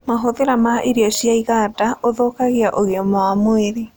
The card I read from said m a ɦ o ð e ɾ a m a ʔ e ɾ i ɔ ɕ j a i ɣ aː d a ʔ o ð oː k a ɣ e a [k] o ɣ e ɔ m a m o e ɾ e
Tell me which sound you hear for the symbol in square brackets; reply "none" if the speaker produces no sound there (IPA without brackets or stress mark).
ʔ